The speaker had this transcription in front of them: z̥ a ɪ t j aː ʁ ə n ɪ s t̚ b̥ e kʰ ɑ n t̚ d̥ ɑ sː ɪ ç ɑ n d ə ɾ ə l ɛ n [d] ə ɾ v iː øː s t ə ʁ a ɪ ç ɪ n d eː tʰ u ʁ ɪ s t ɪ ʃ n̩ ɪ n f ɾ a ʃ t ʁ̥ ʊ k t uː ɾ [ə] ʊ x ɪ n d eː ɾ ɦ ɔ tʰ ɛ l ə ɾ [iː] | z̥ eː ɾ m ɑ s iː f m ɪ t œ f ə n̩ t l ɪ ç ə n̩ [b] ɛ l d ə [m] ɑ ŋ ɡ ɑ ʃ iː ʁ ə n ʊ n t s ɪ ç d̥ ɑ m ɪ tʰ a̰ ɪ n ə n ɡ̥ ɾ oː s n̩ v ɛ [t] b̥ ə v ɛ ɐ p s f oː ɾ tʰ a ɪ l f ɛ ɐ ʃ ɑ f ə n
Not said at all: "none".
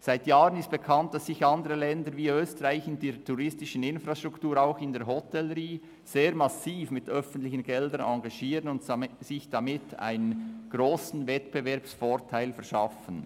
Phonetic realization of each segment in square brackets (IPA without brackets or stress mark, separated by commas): d, a, iː, ɡ, n, t